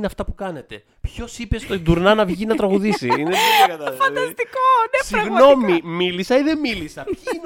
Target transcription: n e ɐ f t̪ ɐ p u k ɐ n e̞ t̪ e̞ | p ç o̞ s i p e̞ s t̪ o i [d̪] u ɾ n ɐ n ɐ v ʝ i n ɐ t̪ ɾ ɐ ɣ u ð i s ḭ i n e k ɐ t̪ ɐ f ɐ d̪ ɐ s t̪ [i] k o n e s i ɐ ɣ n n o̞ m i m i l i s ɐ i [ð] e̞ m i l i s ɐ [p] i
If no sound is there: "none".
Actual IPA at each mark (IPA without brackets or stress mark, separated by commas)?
d̪, i, ð, p